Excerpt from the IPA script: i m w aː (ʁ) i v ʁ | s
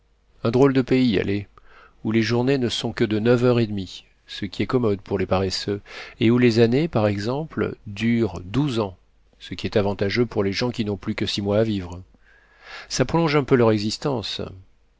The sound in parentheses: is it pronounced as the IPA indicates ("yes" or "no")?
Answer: no